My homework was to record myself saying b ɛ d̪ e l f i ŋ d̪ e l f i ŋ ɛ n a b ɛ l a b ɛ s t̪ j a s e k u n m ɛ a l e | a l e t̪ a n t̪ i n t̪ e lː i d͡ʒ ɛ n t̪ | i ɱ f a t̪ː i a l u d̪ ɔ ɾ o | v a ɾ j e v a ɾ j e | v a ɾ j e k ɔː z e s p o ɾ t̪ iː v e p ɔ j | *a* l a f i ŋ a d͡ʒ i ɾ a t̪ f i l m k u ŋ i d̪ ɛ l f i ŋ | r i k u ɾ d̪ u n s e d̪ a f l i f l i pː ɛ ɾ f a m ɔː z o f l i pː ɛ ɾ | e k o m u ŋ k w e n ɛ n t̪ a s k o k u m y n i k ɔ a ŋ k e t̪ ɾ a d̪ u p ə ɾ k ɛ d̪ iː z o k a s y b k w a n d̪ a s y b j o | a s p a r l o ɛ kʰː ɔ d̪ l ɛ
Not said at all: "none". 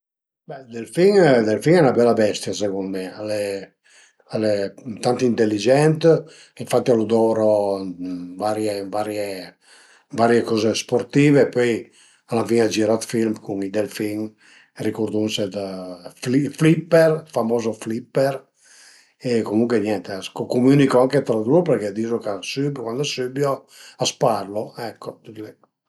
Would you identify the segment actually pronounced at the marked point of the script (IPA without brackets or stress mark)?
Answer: a